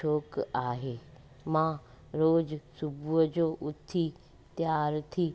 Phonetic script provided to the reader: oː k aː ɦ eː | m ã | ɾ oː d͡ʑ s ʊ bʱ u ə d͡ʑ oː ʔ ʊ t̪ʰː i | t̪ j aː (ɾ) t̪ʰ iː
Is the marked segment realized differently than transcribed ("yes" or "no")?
no